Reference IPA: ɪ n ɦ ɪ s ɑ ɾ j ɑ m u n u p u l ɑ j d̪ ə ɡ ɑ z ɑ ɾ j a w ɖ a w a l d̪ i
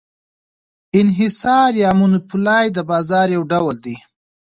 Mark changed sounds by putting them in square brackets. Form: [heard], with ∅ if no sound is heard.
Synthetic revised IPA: ɪ n ɦ ɪ s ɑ ɾ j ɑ m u n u p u l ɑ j d̪ ə [b] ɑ z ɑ ɾ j a w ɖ a w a l d̪ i